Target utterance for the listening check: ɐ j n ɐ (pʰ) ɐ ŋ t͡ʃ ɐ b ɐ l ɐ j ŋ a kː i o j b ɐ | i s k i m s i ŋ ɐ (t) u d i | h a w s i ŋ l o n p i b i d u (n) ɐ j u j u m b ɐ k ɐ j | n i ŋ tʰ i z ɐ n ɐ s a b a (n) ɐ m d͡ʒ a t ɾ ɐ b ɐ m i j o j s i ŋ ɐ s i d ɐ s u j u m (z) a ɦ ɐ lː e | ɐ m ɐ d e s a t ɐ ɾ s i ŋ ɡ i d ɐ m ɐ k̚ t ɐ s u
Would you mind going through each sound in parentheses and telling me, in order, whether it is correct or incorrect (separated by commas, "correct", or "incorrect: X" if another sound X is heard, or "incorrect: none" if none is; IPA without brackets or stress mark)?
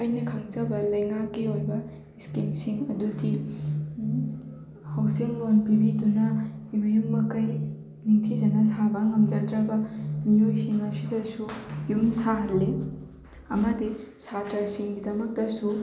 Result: incorrect: kʰ, incorrect: d, correct, incorrect: ŋ, incorrect: s